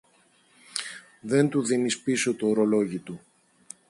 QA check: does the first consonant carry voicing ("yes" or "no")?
yes